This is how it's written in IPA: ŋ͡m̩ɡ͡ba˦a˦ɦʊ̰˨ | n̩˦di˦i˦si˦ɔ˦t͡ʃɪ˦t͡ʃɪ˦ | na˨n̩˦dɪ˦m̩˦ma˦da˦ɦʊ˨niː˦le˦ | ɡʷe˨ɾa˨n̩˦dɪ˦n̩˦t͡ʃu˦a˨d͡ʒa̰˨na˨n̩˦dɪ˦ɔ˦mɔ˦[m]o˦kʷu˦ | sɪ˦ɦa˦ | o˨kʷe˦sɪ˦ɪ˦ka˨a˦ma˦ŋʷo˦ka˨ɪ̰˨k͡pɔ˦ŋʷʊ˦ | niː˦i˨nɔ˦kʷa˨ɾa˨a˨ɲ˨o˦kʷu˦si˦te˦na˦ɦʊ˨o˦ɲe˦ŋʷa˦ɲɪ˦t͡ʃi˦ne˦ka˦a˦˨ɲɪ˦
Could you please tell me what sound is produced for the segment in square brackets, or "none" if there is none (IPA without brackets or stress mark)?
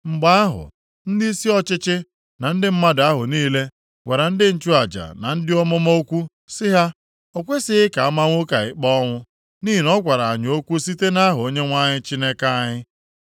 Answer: m